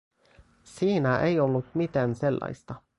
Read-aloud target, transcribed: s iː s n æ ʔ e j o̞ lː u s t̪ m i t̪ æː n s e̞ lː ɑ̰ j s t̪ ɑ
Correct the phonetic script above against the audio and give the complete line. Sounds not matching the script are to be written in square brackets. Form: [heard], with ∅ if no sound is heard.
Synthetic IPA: s iː [∅] n æ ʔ e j o̞ lː u [∅] t̪ m i t̪ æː n s e̞ lː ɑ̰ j s t̪ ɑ